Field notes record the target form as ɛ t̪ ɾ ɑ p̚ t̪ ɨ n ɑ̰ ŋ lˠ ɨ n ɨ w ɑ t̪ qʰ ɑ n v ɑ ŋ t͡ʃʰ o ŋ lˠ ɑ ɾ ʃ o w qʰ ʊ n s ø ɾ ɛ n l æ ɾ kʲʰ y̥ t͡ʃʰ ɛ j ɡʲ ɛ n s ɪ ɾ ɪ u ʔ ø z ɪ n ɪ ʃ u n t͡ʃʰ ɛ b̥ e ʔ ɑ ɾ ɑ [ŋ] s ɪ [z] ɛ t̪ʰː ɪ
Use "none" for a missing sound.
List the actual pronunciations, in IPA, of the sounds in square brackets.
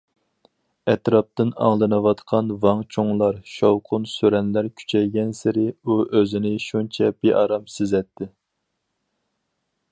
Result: m, z

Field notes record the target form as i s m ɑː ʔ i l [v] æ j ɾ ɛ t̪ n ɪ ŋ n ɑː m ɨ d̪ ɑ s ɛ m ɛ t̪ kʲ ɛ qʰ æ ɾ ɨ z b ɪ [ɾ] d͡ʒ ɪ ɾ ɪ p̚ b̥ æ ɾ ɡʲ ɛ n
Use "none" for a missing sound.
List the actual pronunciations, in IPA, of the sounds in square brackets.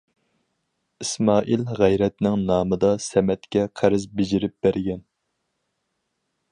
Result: ʁ, none

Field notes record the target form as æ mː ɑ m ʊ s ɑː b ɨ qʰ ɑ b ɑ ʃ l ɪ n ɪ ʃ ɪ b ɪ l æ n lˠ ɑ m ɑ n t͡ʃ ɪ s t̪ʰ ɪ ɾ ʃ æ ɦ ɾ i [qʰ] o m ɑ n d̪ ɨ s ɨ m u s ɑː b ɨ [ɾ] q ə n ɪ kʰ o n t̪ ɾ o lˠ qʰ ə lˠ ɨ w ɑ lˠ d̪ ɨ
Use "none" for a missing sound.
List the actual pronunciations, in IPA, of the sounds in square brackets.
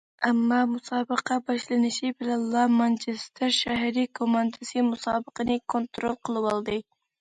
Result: kʰ, none

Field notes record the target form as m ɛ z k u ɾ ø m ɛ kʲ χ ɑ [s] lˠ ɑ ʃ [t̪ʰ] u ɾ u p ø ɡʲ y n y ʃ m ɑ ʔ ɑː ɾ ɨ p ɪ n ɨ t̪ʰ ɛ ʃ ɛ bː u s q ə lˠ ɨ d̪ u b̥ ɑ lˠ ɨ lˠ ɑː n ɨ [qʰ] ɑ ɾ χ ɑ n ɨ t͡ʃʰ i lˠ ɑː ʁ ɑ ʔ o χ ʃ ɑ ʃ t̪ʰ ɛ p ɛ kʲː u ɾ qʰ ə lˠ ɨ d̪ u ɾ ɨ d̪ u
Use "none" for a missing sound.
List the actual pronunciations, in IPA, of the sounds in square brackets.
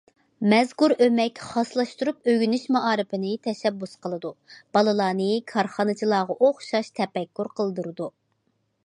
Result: s, t̪, kʰ

